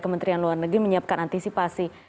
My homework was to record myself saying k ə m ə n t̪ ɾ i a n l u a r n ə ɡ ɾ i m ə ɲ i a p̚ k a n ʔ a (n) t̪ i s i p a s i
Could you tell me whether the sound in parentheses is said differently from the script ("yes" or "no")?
no